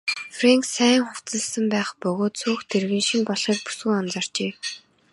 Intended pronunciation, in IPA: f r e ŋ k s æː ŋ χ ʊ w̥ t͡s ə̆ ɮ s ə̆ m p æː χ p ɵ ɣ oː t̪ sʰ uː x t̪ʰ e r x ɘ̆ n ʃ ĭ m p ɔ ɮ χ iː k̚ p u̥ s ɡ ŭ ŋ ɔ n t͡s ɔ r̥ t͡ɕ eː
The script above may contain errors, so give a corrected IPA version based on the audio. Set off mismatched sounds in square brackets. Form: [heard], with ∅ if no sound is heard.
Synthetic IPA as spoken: f r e ŋ k s æː ŋ χ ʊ w̥ t͡s ə̆ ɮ s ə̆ m p æː χ p ɵ ɣ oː t̪ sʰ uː x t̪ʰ e r [ɣ] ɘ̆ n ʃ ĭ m p ɔ ɮ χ iː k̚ p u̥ s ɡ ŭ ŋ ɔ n t͡s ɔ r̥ t͡ɕ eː